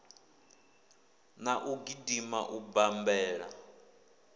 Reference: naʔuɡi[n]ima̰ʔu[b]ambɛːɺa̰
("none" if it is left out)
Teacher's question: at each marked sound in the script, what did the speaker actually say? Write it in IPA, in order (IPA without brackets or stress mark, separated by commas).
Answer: d, b